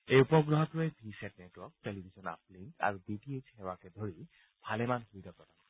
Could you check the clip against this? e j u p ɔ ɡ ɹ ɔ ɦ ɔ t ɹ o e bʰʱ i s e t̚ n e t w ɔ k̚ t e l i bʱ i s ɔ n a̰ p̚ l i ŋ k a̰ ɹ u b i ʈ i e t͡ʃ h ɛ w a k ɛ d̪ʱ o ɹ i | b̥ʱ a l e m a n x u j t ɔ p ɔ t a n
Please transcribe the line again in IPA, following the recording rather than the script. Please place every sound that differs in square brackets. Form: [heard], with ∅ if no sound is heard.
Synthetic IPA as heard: e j u p ɔ ɡ ɹ ɔ ɦ ɔ t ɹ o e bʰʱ i s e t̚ n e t w ɔ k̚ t e l i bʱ i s ɔ n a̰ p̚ l i ŋ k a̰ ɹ u b i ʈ i e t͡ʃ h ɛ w a k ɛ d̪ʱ o ɹ i | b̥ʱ a l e m a n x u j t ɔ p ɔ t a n